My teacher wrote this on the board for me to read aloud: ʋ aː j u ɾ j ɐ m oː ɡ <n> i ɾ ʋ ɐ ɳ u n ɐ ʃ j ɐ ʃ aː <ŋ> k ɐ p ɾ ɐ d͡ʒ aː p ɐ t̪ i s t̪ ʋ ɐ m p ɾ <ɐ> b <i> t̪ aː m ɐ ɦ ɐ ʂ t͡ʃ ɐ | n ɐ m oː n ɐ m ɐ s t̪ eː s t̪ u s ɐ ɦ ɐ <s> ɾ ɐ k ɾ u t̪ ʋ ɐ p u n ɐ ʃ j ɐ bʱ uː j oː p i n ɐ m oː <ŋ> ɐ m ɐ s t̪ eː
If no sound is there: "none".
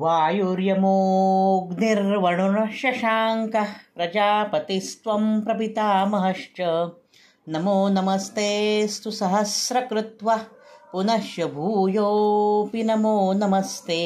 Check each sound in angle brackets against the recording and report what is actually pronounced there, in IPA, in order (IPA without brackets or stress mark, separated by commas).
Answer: n, ŋ, ɐ, i, s, n